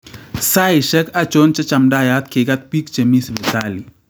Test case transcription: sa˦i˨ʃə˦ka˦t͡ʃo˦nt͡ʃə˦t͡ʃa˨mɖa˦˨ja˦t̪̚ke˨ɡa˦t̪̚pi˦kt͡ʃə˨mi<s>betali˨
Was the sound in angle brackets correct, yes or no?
yes